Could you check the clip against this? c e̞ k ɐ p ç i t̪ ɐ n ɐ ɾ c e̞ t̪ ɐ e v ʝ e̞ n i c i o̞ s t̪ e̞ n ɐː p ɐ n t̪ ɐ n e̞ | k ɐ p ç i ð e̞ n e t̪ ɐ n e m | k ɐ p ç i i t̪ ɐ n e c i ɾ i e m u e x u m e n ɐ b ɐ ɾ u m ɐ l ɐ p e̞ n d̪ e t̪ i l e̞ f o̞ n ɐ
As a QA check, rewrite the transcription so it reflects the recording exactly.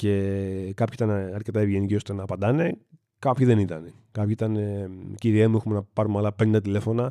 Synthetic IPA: c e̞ k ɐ p ç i t̪ ɐ n ɐ ɾ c e̞ t̪ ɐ e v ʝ e̞ n i c i o̞ s t̪ e̞ n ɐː p ɐ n d̪ ɐ n e̞ | k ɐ p ç i ð e̞ n i t̪ ɐ n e | k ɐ p ç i i t̪ ɐ n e c i ɾ i e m u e x u m e n ɐ p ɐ ɾ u m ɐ l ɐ p e̞ n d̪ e t̪ i l e̞ f o̞ n ɐ